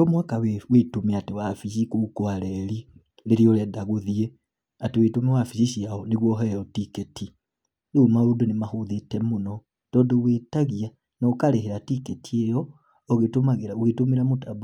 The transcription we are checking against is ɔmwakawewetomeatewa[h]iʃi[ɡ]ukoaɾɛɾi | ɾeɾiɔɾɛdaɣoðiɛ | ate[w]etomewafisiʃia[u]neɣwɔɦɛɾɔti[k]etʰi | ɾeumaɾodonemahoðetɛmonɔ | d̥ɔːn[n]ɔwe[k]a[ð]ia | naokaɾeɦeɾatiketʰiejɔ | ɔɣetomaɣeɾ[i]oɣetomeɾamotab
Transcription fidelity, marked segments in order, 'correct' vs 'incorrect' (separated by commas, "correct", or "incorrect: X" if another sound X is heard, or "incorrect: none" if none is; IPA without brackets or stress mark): incorrect: f, incorrect: k, correct, incorrect: ɔ, correct, incorrect: d, incorrect: t, incorrect: ɣ, incorrect: a